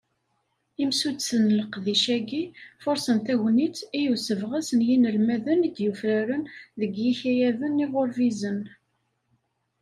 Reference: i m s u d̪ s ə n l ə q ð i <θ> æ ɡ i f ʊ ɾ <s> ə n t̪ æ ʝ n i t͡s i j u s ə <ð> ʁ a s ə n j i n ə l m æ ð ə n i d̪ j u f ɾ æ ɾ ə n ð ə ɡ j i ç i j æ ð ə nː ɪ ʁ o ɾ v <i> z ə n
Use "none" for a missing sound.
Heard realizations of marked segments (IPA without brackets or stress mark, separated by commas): ʃ, s, v, i